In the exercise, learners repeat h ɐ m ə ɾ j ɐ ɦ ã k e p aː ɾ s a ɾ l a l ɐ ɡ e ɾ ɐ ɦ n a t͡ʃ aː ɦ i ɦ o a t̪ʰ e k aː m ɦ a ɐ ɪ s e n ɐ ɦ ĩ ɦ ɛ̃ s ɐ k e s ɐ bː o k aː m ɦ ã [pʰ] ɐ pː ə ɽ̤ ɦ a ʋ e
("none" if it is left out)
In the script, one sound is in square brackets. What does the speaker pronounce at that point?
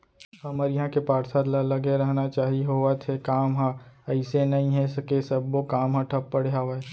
ʈʰ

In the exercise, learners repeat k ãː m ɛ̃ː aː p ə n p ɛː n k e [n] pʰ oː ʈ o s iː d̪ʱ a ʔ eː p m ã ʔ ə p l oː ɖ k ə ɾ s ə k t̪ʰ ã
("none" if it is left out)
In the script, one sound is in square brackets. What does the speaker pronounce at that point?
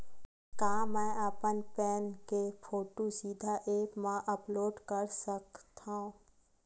none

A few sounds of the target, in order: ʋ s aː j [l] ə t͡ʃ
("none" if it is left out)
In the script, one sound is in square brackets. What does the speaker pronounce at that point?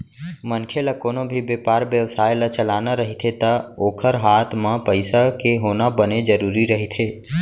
l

